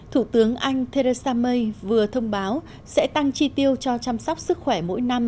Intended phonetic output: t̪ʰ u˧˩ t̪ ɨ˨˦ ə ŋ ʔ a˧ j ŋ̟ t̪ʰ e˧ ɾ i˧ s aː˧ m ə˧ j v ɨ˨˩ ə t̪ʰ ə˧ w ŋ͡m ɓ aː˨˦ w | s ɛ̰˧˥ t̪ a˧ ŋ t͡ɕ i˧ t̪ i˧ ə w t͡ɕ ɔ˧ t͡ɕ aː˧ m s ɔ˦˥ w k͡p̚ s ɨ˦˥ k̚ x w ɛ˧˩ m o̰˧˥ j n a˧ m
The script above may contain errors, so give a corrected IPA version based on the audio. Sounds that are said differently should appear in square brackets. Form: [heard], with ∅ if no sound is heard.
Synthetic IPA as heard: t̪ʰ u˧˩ t̪ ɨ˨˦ ə ŋ ʔ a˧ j ŋ̟ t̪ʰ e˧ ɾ [e˧] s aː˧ m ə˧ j v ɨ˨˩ ə t̪ʰ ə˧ w ŋ͡m ɓ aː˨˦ w | s ɛ̰˧˥ t̪ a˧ ŋ t͡ɕ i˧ t̪ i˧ ə w t͡ɕ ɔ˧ t͡ɕ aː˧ m s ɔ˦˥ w k͡p̚ s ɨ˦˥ k̚ x w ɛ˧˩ m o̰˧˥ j n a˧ m

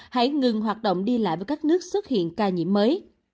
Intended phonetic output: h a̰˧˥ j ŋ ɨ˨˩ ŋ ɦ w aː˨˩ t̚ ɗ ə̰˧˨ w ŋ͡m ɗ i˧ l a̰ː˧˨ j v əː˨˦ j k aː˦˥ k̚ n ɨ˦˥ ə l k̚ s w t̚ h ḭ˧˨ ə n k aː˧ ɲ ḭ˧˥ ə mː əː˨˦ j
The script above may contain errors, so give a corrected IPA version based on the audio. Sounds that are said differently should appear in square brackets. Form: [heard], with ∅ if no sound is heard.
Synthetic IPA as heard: h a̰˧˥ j ŋ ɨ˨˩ ŋ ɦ w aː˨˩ t̚ ɗ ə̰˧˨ w ŋ͡m ɗ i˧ l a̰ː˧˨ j v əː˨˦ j k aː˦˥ k̚ n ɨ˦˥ ə [∅] k̚ s w t̚ h ḭ˧˨ ə n k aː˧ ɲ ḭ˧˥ ə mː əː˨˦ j

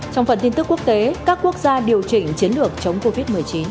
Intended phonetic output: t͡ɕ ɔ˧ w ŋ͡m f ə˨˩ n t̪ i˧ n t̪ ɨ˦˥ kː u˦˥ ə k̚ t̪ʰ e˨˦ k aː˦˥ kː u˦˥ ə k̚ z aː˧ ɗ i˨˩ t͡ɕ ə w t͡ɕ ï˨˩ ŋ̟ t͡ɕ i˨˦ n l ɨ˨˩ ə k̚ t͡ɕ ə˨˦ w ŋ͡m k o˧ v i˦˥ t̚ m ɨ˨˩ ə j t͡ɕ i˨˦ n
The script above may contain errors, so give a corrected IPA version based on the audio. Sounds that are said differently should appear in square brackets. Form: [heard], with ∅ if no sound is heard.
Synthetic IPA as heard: t͡ɕ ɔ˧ w ŋ͡m f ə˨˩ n t̪ i˧ n t̪ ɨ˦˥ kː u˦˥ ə k̚ [t̪] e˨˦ k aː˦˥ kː u˦˥ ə k̚ z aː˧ ɗ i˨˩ [∅] ə w t͡ɕ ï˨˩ ŋ̟ t͡ɕ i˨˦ n l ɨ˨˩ ə k̚ t͡ɕ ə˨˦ w ŋ͡m k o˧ v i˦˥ t̚ m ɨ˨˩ ə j t͡ɕ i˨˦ n

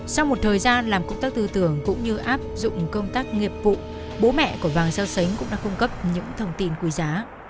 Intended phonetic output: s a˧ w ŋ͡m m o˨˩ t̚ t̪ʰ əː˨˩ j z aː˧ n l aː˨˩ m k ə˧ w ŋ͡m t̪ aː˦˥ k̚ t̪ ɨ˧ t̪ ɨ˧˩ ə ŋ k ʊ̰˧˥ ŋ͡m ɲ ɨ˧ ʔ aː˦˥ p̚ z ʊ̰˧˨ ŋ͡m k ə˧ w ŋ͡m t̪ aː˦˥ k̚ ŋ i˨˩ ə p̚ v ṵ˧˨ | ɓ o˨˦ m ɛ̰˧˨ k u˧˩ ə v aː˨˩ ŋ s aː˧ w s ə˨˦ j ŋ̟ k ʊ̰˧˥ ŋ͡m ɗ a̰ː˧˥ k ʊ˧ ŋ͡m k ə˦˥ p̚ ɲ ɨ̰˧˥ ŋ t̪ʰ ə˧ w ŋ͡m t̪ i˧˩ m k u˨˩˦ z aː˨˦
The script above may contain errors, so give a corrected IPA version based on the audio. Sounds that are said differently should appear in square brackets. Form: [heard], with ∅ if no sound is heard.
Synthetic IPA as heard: s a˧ w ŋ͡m m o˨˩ t̚ t̪ʰ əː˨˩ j z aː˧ n l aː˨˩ m k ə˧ w ŋ͡m t̪ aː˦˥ k̚ t̪ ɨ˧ t̪ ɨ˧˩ ə ŋ k ʊ̰˧˥ ŋ͡m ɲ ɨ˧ ʔ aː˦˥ p̚ z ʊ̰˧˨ ŋ͡m k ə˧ w ŋ͡m t̪ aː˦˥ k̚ ŋ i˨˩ ə p̚ v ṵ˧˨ | ɓ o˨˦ m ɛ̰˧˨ k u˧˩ ə v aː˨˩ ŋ s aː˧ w s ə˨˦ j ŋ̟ k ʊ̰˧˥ ŋ͡m ɗ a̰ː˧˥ k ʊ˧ ŋ͡m k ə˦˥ p̚ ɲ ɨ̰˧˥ ŋ t̪ʰ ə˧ w ŋ͡m t̪ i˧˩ [n] k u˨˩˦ z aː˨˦

